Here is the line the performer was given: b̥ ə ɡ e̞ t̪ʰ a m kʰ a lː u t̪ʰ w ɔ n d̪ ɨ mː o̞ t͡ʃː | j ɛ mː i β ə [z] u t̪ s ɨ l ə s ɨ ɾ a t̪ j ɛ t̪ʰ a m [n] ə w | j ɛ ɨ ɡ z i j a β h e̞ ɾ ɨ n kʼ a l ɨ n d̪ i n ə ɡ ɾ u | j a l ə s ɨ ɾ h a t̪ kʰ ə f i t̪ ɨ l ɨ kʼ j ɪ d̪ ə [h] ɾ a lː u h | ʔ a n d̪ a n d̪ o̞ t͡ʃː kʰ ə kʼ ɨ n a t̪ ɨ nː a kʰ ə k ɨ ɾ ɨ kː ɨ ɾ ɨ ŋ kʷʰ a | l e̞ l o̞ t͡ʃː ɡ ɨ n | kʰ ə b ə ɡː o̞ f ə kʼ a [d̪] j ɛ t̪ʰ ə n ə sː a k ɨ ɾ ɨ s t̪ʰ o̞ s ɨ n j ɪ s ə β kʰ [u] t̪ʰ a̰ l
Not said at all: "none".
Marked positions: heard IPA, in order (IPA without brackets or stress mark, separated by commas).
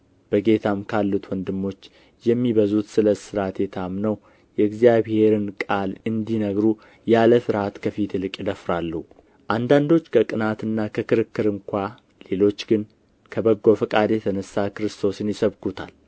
z, n, f, d̪, u